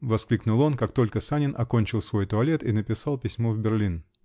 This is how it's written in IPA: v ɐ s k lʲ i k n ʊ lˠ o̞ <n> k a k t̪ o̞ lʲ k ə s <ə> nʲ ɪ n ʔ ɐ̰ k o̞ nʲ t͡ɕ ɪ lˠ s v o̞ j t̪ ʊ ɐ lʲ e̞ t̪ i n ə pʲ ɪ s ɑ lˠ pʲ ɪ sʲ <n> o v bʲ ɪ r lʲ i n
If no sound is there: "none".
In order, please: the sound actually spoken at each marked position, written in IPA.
n, a, m

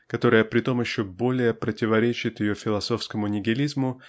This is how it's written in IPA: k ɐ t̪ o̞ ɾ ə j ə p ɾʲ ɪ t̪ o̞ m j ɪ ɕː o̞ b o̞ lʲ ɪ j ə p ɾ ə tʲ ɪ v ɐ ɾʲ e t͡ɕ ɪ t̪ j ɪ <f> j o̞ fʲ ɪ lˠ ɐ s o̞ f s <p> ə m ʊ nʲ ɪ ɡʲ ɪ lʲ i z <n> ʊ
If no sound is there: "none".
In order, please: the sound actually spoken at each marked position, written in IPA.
none, k, m

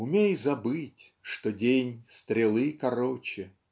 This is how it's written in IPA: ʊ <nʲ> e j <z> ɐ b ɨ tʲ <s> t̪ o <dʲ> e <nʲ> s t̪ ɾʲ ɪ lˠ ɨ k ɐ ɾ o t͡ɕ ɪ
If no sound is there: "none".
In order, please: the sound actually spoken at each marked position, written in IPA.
mʲ, z, ʂ, dʲ, nʲ

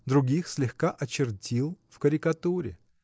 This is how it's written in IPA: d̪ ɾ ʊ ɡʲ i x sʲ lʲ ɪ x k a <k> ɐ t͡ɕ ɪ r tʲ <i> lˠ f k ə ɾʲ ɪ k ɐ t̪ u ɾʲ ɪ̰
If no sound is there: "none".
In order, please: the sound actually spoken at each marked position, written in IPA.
ʔ, i

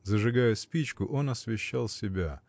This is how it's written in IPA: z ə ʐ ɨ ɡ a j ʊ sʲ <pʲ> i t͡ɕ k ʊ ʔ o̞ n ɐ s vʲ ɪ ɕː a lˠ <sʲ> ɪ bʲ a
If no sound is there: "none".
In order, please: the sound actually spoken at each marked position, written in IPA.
pʲ, sʲ

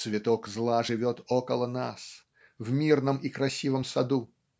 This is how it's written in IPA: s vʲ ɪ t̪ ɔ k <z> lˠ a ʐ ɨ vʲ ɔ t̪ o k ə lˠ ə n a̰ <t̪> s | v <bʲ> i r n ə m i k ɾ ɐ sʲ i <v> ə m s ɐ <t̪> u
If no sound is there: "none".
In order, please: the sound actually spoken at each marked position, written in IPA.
z, none, mʲ, v, d̪

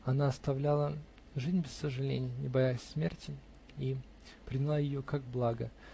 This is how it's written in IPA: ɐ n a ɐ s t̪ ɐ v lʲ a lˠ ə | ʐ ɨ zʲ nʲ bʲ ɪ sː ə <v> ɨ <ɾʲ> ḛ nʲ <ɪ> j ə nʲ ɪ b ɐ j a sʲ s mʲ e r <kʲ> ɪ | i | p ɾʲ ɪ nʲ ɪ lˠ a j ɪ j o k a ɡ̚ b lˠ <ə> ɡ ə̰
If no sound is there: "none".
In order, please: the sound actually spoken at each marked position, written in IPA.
ʐ, lʲ, ɪ, tʲ, a

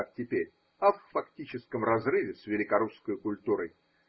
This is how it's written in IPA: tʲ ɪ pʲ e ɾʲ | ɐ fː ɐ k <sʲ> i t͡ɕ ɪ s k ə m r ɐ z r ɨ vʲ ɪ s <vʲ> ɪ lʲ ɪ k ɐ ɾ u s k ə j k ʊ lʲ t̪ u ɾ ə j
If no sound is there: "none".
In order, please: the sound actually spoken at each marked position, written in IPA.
tʲ, vʲ

